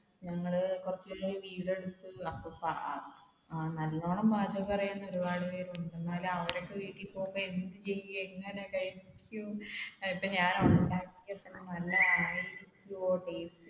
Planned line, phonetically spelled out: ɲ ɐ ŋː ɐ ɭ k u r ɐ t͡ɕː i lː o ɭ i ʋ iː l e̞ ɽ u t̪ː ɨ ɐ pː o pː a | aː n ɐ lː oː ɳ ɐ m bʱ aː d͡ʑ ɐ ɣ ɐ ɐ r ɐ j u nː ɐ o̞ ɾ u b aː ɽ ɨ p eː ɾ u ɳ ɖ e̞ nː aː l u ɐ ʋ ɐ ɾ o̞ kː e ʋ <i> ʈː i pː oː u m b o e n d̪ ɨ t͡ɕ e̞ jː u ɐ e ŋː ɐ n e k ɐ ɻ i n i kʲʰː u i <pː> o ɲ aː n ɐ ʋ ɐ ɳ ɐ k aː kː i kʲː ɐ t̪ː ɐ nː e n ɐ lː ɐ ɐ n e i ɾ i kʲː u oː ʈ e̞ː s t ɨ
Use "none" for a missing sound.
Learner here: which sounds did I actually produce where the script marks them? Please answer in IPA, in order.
iː, pː

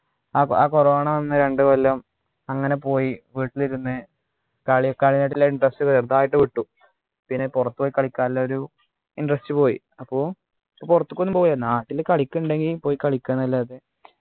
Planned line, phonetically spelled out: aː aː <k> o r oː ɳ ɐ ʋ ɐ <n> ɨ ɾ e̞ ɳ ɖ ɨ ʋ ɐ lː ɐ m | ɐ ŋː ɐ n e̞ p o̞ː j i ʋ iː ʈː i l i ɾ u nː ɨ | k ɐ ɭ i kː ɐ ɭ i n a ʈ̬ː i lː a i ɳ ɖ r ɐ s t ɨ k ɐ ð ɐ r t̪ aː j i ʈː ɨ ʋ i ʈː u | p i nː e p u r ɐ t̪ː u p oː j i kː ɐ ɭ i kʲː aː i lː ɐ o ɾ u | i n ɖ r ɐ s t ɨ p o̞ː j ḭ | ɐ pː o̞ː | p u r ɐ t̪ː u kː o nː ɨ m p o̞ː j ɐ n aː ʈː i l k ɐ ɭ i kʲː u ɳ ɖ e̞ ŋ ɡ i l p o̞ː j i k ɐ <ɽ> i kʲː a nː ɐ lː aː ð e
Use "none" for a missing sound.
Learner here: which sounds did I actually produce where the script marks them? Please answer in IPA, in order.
k, nː, ɭ

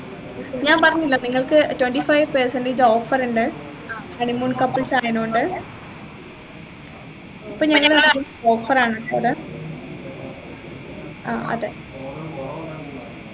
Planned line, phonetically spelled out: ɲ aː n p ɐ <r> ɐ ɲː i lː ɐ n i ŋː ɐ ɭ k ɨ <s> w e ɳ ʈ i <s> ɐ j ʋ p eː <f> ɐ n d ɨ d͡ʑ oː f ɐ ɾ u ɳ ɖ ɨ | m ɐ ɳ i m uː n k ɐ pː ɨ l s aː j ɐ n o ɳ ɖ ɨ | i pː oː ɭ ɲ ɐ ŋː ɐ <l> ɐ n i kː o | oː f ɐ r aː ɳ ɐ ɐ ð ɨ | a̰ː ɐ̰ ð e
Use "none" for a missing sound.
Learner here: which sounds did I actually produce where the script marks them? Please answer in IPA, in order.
r, t, f, s, ɭ

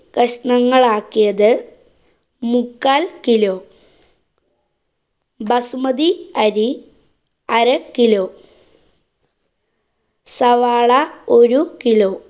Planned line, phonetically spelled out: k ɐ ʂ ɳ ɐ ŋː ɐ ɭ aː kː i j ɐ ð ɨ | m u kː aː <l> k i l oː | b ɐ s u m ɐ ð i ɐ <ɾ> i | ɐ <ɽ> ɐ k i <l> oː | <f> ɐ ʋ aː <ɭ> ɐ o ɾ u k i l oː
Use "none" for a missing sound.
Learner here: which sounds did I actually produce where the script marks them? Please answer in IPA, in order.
l, ɾ, ɾ, l, s, ɭ

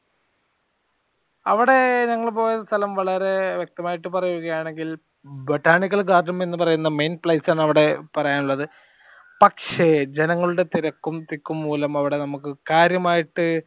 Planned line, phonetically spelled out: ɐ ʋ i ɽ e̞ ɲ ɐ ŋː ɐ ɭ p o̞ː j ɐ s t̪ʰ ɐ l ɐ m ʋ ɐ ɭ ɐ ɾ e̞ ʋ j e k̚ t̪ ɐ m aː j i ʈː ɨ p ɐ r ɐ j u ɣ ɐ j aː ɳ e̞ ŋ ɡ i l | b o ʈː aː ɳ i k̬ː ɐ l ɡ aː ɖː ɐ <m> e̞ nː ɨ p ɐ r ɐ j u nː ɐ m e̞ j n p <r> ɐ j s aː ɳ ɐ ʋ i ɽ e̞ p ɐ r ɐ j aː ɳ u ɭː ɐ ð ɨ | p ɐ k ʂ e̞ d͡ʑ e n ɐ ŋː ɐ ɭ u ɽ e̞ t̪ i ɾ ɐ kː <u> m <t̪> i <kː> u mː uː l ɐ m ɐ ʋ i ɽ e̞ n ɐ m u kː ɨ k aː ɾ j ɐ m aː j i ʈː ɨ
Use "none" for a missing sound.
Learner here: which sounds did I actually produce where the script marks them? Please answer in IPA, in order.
m, ɭ, u, t̪, kː

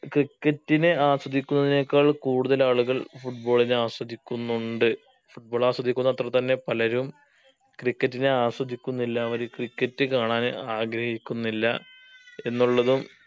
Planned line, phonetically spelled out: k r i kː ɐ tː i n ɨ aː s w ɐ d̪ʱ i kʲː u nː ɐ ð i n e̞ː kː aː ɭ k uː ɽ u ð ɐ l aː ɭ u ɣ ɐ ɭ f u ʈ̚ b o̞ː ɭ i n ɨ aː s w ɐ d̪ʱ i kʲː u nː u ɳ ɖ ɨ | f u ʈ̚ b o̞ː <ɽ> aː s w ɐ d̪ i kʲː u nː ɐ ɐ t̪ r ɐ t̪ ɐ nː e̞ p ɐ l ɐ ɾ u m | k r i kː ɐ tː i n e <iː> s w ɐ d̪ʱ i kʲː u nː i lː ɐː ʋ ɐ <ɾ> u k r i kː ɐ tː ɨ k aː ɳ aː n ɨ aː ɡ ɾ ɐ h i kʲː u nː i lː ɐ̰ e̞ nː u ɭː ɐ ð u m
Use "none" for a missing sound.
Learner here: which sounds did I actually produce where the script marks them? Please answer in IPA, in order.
ɭ, aː, ɾ

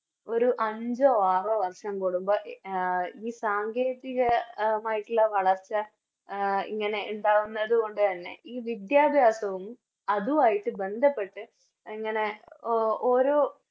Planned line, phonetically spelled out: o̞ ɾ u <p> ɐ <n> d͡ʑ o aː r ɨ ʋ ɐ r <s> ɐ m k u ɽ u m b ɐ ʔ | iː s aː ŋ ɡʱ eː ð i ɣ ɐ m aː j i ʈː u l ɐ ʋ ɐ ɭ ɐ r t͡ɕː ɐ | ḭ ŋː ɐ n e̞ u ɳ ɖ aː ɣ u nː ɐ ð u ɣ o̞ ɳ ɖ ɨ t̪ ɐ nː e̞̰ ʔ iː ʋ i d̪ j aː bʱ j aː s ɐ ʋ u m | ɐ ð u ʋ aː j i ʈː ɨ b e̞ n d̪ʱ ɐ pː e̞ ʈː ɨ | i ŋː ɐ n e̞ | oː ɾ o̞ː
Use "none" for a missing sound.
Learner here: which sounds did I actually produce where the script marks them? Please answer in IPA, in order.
ʔ, ɲ, ʂ

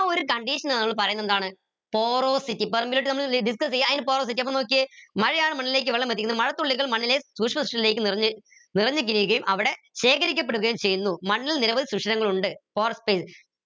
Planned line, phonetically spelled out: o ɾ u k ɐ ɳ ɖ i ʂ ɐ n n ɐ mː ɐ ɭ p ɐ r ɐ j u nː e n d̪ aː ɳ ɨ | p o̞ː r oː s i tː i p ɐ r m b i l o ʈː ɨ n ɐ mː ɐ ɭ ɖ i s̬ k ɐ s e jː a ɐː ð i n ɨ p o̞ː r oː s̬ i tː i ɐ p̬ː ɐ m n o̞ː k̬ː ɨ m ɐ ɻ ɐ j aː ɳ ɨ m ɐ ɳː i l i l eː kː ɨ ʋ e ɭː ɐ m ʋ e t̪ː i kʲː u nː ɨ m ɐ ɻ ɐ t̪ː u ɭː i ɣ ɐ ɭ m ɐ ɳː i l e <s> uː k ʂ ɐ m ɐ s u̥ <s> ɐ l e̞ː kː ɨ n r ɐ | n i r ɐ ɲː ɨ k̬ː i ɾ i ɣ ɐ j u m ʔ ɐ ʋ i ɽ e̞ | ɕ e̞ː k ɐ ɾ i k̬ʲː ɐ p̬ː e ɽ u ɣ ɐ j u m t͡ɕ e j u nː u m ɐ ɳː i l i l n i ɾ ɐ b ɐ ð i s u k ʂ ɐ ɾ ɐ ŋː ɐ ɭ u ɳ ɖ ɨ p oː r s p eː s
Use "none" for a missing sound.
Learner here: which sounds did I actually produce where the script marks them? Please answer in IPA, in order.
s, ʂ

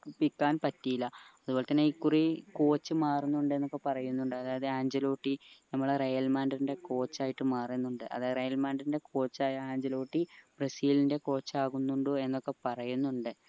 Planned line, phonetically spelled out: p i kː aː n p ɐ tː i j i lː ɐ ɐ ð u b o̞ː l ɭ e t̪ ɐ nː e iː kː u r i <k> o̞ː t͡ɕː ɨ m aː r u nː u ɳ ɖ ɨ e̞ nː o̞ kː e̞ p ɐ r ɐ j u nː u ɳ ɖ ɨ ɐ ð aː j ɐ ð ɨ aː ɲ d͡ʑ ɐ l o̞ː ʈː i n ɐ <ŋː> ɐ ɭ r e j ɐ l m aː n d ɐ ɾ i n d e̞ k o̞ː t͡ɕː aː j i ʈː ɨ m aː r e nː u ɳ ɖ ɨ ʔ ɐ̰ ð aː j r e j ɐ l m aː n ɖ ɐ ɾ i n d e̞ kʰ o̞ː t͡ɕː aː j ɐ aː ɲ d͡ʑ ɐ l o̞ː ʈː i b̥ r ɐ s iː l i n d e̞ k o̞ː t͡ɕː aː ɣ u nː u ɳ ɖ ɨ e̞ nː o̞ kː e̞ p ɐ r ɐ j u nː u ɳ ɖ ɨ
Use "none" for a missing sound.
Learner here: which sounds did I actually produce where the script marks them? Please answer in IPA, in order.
k, mː

